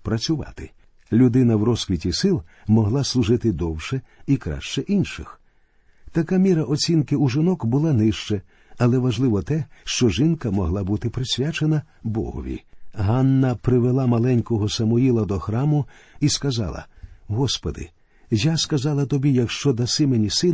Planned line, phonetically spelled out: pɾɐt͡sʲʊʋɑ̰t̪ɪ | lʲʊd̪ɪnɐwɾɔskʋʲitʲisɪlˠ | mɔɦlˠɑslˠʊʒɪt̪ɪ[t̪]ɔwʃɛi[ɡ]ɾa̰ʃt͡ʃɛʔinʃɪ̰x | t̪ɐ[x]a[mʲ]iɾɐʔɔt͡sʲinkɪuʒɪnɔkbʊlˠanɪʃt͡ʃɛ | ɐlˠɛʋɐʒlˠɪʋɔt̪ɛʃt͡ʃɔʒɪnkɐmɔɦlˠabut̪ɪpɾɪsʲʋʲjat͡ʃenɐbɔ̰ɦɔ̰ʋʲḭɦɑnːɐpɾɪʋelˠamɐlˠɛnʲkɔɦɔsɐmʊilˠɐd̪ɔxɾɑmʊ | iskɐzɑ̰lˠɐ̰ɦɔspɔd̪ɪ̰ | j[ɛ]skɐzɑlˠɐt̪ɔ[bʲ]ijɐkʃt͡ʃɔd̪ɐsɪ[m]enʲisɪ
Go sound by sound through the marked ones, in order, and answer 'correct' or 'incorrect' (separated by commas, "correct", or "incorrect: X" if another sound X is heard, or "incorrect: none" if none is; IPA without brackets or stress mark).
incorrect: d̪, incorrect: k, incorrect: k, correct, incorrect: a, correct, correct